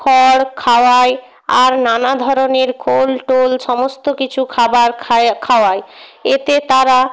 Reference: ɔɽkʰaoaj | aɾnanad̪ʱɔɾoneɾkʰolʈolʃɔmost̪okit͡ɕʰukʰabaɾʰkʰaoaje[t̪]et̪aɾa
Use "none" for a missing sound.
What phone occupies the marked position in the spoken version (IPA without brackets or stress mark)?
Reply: t̪